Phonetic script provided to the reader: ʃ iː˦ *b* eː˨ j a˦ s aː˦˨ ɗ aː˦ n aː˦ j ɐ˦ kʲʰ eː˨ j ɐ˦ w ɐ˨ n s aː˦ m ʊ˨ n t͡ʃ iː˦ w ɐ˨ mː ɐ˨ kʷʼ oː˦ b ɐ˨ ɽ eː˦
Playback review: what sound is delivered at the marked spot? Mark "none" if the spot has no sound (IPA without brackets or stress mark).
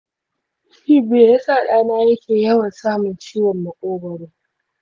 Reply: b